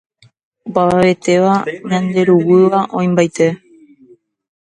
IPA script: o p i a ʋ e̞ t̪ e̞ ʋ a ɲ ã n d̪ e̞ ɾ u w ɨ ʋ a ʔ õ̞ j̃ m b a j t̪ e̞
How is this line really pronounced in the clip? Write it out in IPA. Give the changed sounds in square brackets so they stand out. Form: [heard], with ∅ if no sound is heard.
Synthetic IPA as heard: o p [a] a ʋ e̞ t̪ e̞ ʋ a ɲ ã n d̪ e̞ ɾ u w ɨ ʋ a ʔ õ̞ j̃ m b a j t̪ e̞